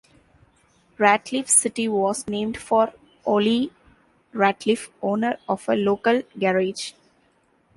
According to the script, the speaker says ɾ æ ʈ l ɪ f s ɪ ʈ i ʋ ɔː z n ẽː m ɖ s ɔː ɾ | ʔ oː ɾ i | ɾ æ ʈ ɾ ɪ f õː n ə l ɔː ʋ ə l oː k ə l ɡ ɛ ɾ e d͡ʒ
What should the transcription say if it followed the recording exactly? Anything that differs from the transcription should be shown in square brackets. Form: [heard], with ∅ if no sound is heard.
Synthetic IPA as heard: ɾ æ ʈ l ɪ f s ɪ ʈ i ʋ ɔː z n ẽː m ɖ [f] ɔː ɾ | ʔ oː [l] i | ɾ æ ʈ [l] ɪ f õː n ə [ɾ] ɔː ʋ ə l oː k ə l ɡ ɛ ɾ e d͡ʒ